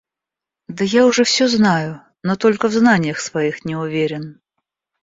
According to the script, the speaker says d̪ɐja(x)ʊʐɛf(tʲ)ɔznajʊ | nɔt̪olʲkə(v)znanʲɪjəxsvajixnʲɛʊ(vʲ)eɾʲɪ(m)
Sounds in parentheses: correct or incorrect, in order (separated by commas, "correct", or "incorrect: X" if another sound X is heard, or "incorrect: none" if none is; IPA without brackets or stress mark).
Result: incorrect: none, incorrect: sʲ, correct, correct, incorrect: n